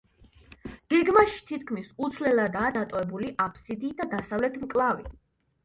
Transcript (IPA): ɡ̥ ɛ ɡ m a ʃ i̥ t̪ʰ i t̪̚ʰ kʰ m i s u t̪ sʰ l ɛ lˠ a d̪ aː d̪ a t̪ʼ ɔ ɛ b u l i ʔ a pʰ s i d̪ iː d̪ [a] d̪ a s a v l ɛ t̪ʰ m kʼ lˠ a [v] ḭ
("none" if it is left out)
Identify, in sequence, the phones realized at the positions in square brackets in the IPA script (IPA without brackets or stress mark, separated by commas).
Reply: a, v